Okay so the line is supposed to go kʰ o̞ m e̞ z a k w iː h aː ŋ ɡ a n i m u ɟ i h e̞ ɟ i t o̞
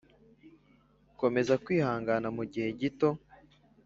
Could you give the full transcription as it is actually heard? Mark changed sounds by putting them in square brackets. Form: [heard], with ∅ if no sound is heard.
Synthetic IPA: [k] o̞ m e̞ z a k w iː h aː ŋ ɡ a n [a] m u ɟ i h e̞ ɟ i t o̞

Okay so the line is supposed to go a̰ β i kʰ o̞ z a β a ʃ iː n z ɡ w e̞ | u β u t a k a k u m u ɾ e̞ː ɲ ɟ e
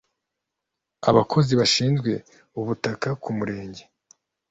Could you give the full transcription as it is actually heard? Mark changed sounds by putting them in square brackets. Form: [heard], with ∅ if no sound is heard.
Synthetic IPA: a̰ β [a] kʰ o̞ z [i] β a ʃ iː n z ɡ w e̞ | u β u t a k a k u m u ɾ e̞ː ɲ ɟ e

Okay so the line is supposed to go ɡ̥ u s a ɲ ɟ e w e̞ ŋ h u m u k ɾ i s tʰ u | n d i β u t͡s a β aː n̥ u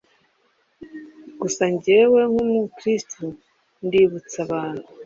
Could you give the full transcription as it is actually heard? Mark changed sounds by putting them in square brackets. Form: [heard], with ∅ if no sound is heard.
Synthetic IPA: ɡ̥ u s a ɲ ɟ e w e̞ ŋ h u m u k ɾ i s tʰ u | n d i β u t͡s a β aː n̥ u

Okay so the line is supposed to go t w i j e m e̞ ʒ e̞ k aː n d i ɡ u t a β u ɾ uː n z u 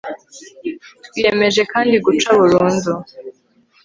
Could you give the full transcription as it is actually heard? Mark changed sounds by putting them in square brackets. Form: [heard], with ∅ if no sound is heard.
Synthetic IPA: t w i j e m e̞ ʒ e̞ k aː n d i ɡ u [t͡ʃ] a β u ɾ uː n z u

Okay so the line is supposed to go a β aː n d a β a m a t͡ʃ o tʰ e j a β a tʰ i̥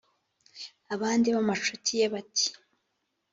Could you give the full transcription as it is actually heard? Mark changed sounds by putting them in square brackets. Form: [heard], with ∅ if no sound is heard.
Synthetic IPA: a β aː n d [i] β a m a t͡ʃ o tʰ [i] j [e] β a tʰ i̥

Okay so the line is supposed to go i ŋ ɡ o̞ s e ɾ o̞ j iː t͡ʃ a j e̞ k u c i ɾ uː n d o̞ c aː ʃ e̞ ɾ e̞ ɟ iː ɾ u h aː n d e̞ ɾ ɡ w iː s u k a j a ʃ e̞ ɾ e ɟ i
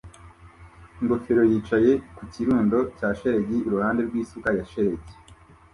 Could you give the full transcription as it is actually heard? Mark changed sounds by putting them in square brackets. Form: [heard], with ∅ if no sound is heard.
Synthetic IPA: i ŋ ɡ o̞ [f] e ɾ o̞ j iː t͡ʃ a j e̞ k u c i ɾ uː n d o̞ c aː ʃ e̞ ɾ e̞ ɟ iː ɾ u h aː n d e̞ ɾ ɡ w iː s u k a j a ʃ e̞ ɾ e ɟ i

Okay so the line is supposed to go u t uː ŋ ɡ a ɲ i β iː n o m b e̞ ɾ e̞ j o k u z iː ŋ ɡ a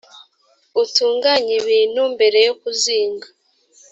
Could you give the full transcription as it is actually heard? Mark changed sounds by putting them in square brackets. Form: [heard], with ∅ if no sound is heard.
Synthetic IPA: u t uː ŋ ɡ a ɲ i β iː n [u] m b e̞ ɾ e̞ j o k u z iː ŋ ɡ a

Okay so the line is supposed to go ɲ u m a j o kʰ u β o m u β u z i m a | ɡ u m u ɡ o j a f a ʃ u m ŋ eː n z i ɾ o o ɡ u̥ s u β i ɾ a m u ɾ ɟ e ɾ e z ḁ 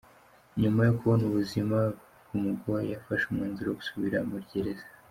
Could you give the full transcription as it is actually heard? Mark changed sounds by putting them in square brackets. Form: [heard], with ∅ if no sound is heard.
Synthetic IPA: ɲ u m a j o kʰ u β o [n] u β u z i m a | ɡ u m u ɡ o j a f a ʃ u m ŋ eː n z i ɾ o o ɡ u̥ s u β i ɾ a m u ɾ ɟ e ɾ e z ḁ

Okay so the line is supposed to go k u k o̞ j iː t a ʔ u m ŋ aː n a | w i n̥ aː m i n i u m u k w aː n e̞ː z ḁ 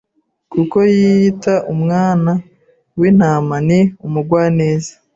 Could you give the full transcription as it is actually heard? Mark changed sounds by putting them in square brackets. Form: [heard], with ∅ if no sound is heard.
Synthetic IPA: k u k o̞ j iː t a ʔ u m ŋ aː n a | w i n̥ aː m [a] n i u m u [ɡ] w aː n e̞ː z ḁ

